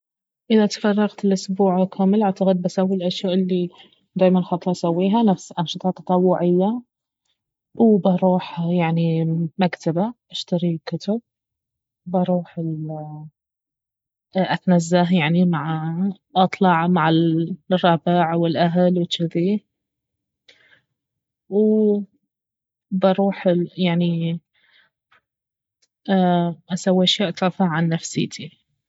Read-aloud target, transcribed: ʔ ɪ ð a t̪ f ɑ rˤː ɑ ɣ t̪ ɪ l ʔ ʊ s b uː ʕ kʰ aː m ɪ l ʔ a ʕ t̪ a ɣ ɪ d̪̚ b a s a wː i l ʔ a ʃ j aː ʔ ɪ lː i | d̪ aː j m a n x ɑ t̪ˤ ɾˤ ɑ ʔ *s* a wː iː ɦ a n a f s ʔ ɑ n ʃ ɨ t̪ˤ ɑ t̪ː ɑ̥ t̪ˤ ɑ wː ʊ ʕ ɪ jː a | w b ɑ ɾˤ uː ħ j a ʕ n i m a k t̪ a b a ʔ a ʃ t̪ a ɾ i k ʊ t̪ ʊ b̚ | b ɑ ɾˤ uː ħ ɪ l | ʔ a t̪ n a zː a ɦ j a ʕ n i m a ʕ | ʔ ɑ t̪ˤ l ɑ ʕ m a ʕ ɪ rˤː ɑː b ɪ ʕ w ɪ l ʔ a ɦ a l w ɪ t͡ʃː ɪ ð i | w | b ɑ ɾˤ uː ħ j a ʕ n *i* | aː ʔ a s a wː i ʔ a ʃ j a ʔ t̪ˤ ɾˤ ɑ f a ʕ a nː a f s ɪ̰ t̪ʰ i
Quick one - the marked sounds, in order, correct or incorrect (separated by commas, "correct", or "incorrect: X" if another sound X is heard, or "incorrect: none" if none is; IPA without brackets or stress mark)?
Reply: correct, correct